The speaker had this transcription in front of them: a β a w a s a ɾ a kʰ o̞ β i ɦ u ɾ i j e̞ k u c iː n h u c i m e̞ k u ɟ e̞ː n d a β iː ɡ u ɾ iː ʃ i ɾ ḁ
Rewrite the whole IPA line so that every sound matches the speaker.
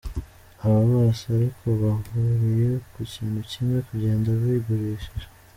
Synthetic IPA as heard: a β a β a s a ɾ i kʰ o̞ β a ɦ u ɾ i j e̞ k u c iː n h u c i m e̞ k u ɟ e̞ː n d a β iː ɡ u ɾ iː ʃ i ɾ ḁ

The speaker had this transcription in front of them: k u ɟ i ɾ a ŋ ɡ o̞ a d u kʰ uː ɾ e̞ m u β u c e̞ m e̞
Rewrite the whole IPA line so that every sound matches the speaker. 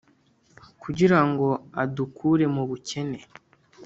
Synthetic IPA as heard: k u ɟ i ɾ a ŋ ɡ o̞ a d u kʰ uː ɾ e̞ m u β u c e̞ n e̞

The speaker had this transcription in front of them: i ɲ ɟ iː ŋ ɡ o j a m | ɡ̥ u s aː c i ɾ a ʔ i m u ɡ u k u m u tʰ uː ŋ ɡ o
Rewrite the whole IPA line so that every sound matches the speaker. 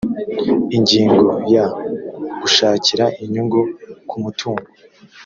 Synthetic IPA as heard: i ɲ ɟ iː ŋ ɡ o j a | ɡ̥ u ʃ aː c i ɾ a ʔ i ɲ u ɡ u k u m u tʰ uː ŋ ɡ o

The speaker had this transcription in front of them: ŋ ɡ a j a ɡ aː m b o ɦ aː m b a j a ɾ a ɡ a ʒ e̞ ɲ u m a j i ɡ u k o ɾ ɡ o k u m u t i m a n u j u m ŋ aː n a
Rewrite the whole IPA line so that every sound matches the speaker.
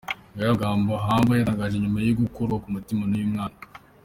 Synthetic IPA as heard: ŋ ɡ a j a ɡ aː m b o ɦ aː m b a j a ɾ a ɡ a ʒ e̞ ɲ u m a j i ɡ u k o ɾ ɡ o k u m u t i m a n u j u m ŋ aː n a

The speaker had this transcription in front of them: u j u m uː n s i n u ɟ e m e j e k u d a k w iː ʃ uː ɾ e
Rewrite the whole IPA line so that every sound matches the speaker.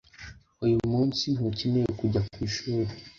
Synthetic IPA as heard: u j u m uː n s i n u c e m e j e k u ɟ a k w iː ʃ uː ɾ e

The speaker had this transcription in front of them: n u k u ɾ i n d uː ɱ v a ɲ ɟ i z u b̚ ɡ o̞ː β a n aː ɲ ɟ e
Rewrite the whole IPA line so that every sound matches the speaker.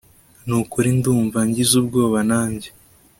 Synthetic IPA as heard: n u k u ɾ i n d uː ɱ v a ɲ ɟ i z u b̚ ɡ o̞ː β a n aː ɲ ɟ e

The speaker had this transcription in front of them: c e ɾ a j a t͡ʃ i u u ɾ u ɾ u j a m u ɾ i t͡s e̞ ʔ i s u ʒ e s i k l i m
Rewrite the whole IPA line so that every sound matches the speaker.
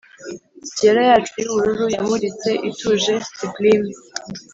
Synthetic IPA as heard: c e ɾ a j a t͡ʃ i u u ɾ u ɾ u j a m u ɾ i t͡s e̞ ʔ i t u ʒ e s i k l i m

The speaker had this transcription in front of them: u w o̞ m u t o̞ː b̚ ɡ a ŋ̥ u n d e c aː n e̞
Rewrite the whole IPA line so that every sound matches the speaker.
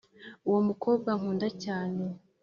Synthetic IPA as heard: u w o̞ m u k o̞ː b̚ ɡ a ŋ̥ uː n d a c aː n e̞

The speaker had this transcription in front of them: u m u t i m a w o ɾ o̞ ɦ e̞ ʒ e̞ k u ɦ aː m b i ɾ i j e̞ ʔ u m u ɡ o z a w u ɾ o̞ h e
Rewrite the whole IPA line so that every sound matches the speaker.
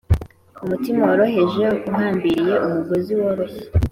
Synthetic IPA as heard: u m u t i m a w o ɾ o̞ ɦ e̞ ʒ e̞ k u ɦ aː m b i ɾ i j e̞ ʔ u m u ɡ o z i w o ɾ o̞ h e

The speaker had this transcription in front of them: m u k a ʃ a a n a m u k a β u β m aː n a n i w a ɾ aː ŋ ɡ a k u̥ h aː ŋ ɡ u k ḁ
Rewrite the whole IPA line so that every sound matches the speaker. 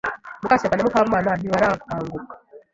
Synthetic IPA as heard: m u k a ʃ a a n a m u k a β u m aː n a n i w a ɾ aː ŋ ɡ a k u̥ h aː ŋ ɡ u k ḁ

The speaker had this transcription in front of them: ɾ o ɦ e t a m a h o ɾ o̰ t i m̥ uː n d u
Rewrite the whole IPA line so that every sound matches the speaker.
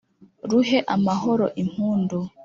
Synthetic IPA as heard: ɾ u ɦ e ʔ a m a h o ɾ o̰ ʔ i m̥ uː n d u

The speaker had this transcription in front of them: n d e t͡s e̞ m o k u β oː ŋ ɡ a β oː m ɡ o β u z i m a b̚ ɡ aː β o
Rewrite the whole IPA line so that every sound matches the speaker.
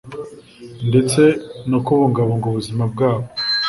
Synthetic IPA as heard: n d e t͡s e̞ n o k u β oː ŋ ɡ a β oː ŋ ɡ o β u z i m a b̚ ɡ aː β o

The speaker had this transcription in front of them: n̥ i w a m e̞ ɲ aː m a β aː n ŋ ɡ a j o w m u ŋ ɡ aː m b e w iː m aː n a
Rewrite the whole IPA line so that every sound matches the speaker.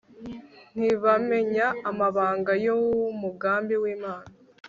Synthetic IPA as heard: n̥ i β a m e̞ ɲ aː m a β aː ŋ ɡ a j o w m u ɡ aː m b i w iː m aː n a

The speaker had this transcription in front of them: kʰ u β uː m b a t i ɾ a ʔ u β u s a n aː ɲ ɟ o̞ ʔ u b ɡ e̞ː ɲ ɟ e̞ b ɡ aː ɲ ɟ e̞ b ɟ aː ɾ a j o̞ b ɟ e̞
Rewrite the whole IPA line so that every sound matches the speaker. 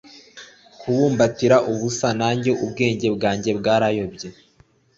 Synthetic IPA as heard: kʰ u β uː m b a t i ɾ a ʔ u β u s a n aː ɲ ɟ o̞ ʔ u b ɡ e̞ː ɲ ɟ e̞ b ɡ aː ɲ ɟ e̞ b ɡ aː ɾ a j o̞ b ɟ e̞

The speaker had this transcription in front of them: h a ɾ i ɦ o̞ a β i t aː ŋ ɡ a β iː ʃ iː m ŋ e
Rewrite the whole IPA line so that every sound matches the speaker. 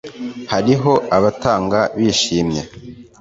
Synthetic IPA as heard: h a ɾ i ɦ o̞ a β a t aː ŋ ɡ a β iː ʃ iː m ɲ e

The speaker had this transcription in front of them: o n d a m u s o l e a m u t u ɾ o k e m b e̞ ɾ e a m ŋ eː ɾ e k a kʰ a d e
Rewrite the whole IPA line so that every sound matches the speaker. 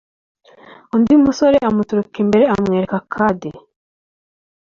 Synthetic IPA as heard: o n d i m u s o ɾ e a m u t u ɾ u k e m b e̞ ɾ e a m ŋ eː ɾ e k a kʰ a d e

